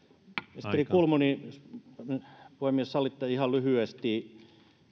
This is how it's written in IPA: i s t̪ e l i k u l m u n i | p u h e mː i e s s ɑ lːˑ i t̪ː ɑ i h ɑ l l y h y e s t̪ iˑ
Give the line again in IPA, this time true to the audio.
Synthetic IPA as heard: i s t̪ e r i k u l m u n i | p u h e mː i e s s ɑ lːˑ i t̪ː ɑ i h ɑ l l y h y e s t̪ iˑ

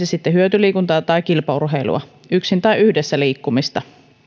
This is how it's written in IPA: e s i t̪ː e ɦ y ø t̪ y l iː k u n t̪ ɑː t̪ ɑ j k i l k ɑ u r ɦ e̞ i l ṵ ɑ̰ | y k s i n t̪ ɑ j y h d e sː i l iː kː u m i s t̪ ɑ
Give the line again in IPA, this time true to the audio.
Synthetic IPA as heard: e s i t̪ː e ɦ y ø t̪ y l iː k u n t̪ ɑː t̪ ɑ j k i l p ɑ u r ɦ e̞ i l ṵ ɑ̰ | y k s i n t̪ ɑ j y h d e sː æ l iː kː u m i s t̪ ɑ

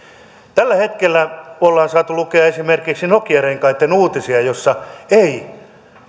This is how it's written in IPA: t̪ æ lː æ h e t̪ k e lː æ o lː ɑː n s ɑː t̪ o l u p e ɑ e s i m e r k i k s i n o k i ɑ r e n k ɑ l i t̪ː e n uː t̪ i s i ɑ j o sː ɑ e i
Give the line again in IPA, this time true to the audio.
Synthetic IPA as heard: t̪ æ lː æ h e t̪ k e lː æ o lː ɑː n s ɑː t̪ u l u k e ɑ e s i m e r k i k s i n o k i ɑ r e ŋ k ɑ i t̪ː e n uː t̪ i s i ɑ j o sː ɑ e i

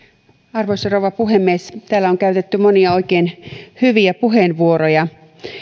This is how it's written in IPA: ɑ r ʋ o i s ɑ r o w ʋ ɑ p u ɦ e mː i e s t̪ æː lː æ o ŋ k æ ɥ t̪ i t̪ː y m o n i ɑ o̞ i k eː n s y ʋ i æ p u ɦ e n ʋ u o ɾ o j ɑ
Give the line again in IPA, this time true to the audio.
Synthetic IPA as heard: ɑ r ʋ o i s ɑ r o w ʋ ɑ p u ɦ e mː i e s t̪ æː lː æ o ŋ k æ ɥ t̪ e t̪ː y m o n i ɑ o̞ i k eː n h y ʋ i æ p u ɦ e n ʋ u o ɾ o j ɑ

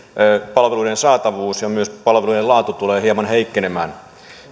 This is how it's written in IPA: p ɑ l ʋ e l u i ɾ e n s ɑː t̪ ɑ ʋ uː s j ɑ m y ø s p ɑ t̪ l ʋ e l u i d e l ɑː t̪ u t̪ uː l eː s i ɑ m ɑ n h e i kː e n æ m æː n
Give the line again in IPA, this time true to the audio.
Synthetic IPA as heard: p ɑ l ʋ e l u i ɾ e n s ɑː t̪ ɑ ʋ uː s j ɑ m y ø s p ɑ l ʋ e l u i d e l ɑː t̪ u t̪ u l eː h i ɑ m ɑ n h e i kː e n e m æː n

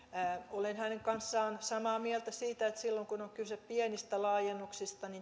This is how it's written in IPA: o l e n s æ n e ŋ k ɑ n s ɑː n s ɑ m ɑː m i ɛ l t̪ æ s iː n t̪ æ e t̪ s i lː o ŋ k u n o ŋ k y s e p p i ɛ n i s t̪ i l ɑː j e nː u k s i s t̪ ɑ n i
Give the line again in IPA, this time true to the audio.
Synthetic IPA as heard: o l e n h æ n e ŋ k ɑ n sː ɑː n s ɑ m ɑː m i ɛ l t̪ æ s iː t̪ æ e t̪ s i lː o ŋ k u n o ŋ k y s e p p i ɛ n i s t̪ æ l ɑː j e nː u k s i s t̪ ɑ n i

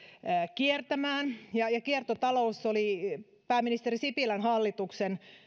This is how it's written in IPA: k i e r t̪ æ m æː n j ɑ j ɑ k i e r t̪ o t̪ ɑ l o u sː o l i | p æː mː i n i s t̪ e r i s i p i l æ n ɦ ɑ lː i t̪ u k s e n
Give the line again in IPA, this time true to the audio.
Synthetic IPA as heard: k i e r t̪ æ m æː n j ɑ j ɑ k i e r t̪ o t̪ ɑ l o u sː o l i | p æː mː i n i s t̪ e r i s i p i l æ n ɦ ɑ lː i t̪ u k s e n

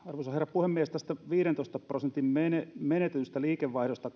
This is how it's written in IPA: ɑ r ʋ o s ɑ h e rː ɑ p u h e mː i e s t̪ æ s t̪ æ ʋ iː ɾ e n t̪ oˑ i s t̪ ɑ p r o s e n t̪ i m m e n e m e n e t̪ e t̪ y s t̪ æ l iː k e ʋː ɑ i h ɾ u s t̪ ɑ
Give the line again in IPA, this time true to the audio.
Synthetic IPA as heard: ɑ r ʋ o s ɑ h e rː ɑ p u h e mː i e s t̪ æ s t̪ æ ʋ iː ɾ e n t̪ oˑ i s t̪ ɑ p r o s e n t̪ i m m e n e m e n e t̪ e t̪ y s t̪ æ l iː k e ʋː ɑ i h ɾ o s t̪ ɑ

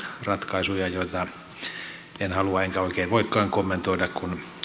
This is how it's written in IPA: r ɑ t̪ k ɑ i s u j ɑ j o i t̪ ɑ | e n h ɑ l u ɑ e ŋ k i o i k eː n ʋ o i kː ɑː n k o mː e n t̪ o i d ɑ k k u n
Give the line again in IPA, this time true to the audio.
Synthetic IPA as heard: r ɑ t̪ k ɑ i s u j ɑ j o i t̪ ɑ | e n h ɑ l u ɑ e ŋ k æ o i k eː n ʋ o i kː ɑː ŋ k o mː e n t̪ o i d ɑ k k u n

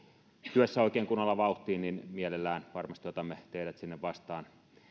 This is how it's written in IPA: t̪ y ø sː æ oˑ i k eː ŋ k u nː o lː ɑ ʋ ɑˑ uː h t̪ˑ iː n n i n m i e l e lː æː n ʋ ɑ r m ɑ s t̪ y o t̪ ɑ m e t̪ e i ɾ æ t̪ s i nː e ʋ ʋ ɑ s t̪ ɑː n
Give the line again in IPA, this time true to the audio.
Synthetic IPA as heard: t̪ y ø sː æ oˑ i k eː ŋ k u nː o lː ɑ ʋ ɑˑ u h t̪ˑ iː n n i n m i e l e lː æː n ʋ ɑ r m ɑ s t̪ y o t̪ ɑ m e t̪ e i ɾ æ t̪ s i nː e ʋ ʋ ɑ s t̪ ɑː n

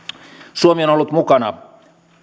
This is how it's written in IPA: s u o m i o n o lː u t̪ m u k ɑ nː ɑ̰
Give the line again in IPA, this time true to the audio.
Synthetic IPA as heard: s u o m i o n o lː u t̪ m u k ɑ n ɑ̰

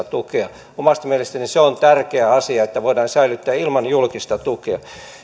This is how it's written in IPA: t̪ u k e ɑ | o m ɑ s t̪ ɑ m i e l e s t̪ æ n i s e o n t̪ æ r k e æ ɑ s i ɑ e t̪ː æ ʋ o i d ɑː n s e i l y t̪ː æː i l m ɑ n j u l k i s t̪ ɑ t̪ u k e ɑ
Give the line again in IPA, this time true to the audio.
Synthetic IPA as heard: t̪ u k e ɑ | o m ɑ s t̪ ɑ m i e l e s t̪ æ n i s e o n t̪ æ r k e æ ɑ s i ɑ e t̪ː æ ʋ o i d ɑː n s æ i l y t̪ː æː i l m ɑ n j u l k i s t̪ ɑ t̪ u k e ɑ

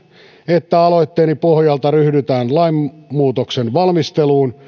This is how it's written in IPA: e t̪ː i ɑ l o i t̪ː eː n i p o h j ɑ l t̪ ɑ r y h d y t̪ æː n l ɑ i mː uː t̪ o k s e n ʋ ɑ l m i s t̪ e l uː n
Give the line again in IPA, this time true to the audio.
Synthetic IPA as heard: e t̪ː æ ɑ l o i t̪ː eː n i p o h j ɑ l t̪ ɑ r y h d y t̪ æː n l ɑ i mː uː t̪ o k s e n ʋ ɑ l m i s t̪ e l uː n

